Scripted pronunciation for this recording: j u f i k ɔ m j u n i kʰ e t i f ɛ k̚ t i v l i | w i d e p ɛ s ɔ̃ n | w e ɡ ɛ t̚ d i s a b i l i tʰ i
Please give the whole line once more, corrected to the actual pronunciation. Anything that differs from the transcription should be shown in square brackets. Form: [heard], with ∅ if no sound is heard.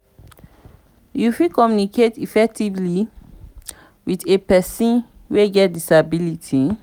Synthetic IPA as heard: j u f i k ɔ m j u n i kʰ e t i f ɛ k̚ t i v l i | w i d e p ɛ s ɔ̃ n | w e ɡ ɛ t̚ d i s a b i l i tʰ i